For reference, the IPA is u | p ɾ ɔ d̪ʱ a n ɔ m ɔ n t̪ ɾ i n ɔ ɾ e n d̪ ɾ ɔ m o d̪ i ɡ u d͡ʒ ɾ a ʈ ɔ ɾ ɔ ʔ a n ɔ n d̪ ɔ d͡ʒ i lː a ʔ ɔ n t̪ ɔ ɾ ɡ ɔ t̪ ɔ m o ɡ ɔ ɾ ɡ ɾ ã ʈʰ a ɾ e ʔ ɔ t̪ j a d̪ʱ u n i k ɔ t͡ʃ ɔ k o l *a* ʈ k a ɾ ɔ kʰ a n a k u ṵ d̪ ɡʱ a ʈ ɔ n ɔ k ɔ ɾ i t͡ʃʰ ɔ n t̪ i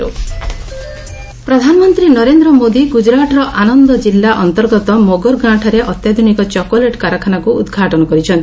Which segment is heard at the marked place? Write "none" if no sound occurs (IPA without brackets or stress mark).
e